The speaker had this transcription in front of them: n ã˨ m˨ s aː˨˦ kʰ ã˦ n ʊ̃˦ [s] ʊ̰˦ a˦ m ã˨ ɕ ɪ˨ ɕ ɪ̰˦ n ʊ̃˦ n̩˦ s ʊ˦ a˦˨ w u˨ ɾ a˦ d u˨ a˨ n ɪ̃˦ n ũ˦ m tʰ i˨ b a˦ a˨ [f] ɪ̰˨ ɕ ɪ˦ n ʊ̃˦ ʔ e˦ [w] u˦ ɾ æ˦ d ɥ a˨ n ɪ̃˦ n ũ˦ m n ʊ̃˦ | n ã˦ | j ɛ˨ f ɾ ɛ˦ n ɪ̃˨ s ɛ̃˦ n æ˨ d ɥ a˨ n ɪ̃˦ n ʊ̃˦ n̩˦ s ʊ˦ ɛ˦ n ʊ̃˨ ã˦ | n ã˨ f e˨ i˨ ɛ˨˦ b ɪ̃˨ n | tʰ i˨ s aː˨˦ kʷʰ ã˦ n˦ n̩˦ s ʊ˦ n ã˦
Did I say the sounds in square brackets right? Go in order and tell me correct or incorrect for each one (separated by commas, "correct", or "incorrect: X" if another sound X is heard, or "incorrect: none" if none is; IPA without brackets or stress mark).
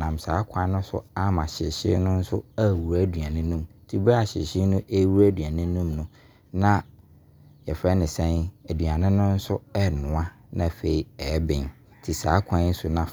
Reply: correct, incorrect: ɕ, correct